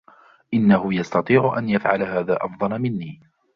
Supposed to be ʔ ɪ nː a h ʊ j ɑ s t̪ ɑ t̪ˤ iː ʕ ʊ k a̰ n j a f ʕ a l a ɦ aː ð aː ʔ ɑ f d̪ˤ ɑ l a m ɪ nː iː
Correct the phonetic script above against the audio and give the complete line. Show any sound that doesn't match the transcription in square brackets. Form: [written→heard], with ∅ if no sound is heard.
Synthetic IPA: ʔ ɪ nː a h ʊ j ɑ s t̪ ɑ t̪ˤ iː ʕ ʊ [k→ʔ] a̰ n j a f ʕ a l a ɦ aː ð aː ʔ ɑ f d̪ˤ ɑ l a m ɪ nː iː